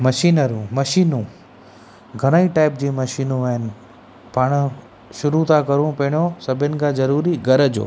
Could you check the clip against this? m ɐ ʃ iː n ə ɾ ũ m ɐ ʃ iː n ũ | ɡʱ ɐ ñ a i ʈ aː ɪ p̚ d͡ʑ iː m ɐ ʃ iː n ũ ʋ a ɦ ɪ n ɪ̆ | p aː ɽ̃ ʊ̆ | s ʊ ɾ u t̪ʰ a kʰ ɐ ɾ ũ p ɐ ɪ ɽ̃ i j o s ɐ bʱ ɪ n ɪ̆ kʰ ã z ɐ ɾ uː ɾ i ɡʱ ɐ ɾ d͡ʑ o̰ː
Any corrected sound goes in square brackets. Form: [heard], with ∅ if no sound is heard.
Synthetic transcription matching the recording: m ɐ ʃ iː n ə ɾ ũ m ɐ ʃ iː n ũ | ɡʱ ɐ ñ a i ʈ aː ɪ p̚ d͡ʑ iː m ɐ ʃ iː n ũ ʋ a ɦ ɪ n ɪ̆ | p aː ɽ̃ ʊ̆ | [ʃ] ʊ ɾ u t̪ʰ a [k] ɐ ɾ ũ p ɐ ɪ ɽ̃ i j o s ɐ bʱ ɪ n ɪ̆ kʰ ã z ɐ ɾ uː ɾ i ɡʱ ɐ ɾ d͡ʑ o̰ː